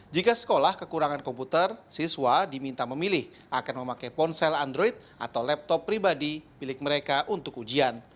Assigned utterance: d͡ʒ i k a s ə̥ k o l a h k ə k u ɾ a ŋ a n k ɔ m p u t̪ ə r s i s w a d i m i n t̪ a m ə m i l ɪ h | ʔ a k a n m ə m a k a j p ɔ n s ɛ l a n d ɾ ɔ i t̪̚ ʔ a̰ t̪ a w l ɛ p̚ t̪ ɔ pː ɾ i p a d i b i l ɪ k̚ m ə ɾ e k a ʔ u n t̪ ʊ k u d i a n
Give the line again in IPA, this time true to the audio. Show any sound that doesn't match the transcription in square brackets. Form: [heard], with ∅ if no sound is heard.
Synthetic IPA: d͡ʒ i k a s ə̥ k o l a h k ə k u ɾ a ŋ a n k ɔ m p u t̪ ə r s i s w a d i m i n t̪ a m ə m i l ɪ h | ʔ a k a n m ə m a k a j p ɔ n s ɛ l a n d ɾ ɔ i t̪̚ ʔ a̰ t̪ a w l ɛ p̚ t̪ ɔ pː ɾ i [b] a d i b i l ɪ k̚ m ə ɾ e k a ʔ u n t̪ ʊ k u [d͡ʒ] i a n